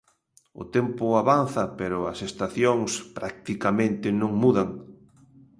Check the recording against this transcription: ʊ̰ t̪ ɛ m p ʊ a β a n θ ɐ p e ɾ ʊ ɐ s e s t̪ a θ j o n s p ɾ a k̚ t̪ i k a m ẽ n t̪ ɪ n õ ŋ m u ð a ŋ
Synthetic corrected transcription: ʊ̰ t̪ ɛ m p ʊ a β a n θ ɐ p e ɾ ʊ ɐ s e s t̪ a θ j o ŋ s p ɾ a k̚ t̪ i k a m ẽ n t̪ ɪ n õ ŋ m u ð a ŋ